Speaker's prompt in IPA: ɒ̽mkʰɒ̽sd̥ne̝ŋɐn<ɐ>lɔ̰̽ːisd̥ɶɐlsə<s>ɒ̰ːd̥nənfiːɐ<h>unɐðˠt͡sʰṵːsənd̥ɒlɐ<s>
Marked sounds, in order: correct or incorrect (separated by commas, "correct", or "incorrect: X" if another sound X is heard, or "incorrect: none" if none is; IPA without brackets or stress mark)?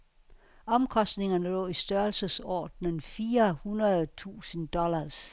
incorrect: ə, correct, correct, correct